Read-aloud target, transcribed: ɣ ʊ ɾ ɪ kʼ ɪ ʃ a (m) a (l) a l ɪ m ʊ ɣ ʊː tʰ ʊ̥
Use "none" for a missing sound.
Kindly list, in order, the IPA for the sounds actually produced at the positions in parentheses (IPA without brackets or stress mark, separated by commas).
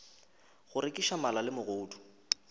m, l